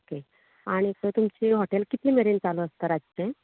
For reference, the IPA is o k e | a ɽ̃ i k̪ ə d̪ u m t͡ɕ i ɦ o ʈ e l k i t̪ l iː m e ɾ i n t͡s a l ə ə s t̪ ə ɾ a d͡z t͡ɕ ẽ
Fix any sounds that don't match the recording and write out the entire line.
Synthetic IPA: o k e | a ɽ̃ i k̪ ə t̪ u m t͡ɕ i ɦ o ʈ e l k i t̪ l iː m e ɾ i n t͡s a l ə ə s t̪ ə ɾ a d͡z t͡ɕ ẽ